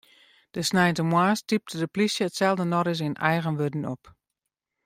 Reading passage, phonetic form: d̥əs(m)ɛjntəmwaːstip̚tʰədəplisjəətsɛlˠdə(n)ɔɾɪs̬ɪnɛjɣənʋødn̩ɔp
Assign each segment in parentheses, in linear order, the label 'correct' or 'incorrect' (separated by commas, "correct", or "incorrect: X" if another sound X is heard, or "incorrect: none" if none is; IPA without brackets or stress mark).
incorrect: n, correct